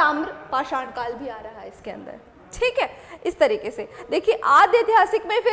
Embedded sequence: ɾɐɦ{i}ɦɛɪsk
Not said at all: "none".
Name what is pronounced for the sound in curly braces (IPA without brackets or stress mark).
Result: a